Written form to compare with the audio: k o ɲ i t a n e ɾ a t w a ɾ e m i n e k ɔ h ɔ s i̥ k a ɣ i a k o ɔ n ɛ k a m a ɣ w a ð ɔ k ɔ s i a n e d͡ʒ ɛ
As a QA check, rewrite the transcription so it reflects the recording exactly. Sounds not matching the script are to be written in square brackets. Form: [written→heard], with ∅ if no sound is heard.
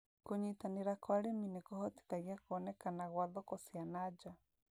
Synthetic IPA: k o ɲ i t a n e ɾ a [t→k] w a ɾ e m i n e k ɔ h ɔ [s→t] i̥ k a ɣ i a k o ɔ n ɛ k a [m→n] a ɣ w a ð ɔ k ɔ s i a n [e→a] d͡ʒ [ɛ→a]